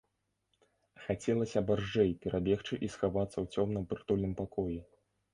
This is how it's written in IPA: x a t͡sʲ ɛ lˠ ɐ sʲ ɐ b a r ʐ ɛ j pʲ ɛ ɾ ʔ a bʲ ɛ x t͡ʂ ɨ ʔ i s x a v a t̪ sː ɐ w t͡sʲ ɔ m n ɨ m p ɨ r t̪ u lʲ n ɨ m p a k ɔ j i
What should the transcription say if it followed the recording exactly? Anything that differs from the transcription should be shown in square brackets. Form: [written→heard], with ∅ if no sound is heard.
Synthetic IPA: x a t͡sʲ ɛ lˠ ɐ sʲ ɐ b a r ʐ ɛ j pʲ ɛ ɾ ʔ a bʲ ɛ x t͡ʂ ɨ ʔ i s x a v a t̪ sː ɐ w t͡sʲ ɔ m n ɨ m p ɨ r t̪ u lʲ n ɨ m p a k ɔ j i